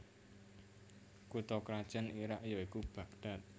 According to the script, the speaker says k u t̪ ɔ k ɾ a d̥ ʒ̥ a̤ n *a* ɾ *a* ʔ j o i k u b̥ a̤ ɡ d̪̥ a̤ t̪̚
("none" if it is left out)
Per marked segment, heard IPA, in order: i, a

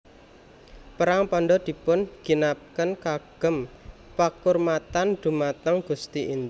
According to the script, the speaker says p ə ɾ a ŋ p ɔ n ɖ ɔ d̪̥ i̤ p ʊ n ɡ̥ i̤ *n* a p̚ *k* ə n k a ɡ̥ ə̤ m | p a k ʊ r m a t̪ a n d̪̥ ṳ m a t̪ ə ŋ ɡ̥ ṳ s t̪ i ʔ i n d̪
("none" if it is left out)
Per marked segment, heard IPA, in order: n, k

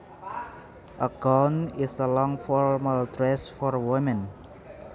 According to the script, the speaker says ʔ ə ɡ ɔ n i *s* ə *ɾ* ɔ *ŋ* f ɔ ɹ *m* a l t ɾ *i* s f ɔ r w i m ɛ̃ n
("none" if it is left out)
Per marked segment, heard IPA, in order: s, l, ŋ, m, ɛ

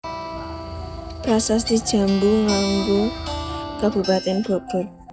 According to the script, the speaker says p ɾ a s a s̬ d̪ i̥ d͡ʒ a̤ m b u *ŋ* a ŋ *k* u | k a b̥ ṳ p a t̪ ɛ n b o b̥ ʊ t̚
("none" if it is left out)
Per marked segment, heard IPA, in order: ŋ, ɡ

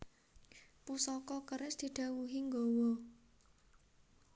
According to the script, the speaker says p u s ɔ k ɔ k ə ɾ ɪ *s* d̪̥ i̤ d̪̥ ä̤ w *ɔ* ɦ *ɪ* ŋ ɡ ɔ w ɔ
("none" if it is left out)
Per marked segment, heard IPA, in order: s, u, i

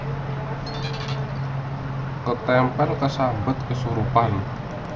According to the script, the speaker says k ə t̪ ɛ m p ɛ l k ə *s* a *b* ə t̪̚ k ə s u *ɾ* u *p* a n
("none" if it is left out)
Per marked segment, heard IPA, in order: s, b, ɾ, p

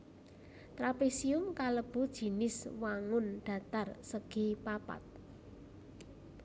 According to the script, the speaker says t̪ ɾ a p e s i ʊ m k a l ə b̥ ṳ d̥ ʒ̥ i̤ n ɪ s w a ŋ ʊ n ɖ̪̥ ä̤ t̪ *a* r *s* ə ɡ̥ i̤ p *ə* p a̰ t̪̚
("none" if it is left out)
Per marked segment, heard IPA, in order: a, s, a

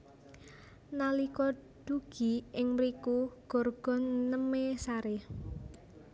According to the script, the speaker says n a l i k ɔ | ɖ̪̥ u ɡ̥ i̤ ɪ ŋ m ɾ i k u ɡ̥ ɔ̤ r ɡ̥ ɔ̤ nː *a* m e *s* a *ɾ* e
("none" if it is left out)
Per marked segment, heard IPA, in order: ə, s, ɾ

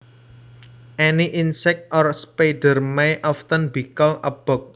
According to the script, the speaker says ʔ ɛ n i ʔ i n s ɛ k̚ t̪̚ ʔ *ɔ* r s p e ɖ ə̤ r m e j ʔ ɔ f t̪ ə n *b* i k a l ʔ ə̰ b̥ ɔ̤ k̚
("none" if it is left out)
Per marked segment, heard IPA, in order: ɔ, b

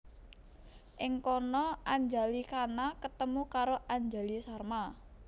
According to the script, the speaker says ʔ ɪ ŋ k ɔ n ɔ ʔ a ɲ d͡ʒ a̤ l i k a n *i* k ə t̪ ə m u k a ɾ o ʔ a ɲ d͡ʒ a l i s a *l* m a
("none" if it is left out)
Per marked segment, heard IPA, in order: a, r

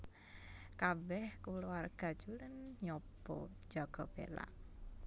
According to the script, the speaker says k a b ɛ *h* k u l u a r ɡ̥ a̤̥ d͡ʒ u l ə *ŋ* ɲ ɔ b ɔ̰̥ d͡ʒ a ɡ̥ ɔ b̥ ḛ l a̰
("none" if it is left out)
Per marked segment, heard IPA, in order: h, n

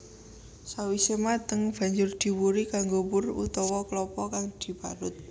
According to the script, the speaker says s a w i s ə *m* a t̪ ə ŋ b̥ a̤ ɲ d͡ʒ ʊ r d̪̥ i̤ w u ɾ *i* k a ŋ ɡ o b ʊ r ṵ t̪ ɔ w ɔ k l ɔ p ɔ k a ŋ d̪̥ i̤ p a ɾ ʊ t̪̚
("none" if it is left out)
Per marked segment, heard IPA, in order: m, i

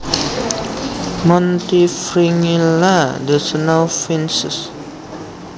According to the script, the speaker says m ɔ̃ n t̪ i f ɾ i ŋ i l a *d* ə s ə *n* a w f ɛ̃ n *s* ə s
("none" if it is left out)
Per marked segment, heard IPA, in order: d, n, s

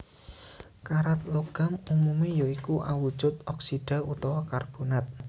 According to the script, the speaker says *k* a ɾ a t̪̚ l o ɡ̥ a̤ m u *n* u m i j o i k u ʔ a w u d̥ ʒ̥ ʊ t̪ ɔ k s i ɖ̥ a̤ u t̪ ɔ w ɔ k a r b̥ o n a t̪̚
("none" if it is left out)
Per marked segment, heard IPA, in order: k, m

